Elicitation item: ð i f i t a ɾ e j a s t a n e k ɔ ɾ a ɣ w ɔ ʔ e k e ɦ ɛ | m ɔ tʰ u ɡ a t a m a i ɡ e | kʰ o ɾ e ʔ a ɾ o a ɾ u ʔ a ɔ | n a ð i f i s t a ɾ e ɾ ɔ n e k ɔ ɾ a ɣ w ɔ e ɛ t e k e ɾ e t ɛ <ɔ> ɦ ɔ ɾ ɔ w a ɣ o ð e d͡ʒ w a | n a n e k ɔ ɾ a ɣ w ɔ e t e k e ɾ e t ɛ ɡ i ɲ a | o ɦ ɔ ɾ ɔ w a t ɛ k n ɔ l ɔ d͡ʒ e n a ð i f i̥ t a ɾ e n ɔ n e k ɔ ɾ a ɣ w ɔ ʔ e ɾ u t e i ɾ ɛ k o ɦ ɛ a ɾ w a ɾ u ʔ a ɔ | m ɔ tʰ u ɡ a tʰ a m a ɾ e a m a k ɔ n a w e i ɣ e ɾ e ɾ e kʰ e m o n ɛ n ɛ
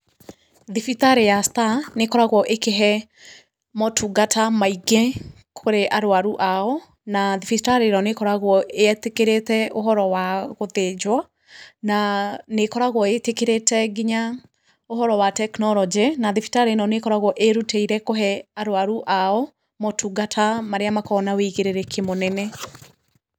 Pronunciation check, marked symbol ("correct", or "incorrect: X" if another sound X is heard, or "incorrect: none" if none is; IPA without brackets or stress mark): incorrect: o